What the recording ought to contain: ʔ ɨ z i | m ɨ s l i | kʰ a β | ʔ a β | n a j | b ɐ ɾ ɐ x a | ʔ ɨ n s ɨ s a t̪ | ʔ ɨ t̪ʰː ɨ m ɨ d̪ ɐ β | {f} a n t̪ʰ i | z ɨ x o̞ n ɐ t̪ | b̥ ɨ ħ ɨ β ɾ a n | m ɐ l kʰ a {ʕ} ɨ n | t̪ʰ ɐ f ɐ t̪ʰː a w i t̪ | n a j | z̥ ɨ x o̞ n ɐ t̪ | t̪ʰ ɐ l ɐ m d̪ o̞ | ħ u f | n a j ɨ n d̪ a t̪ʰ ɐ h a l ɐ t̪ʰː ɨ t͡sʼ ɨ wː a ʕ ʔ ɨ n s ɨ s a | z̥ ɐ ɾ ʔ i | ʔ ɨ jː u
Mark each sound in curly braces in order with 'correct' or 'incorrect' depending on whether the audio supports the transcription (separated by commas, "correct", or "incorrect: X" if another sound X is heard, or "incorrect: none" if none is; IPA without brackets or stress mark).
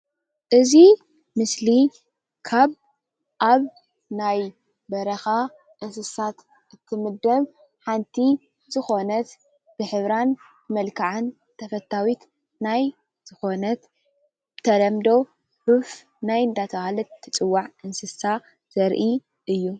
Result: incorrect: ħ, correct